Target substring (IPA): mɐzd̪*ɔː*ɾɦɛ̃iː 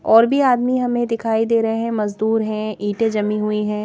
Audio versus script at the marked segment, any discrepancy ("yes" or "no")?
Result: yes